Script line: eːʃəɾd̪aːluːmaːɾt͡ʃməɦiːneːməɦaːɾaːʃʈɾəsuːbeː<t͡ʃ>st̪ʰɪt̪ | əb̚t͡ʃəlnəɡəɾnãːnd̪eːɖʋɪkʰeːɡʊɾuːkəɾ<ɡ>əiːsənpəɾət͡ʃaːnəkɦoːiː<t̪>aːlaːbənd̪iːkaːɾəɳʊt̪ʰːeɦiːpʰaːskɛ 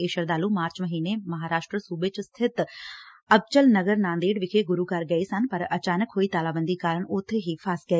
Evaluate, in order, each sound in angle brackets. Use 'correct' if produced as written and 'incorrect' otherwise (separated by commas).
correct, correct, correct